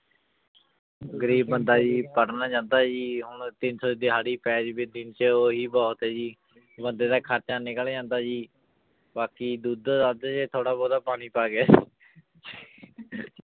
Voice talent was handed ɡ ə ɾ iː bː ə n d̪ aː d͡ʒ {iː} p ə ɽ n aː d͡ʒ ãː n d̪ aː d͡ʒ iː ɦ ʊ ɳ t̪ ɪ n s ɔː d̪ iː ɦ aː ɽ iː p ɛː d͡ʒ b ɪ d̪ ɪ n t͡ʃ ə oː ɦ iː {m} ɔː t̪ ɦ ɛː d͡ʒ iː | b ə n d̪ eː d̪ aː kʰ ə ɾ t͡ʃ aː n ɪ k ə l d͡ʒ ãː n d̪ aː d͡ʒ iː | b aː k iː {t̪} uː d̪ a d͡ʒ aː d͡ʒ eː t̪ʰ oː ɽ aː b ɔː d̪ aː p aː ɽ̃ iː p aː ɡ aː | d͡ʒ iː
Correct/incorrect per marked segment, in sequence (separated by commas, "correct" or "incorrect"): correct, incorrect, incorrect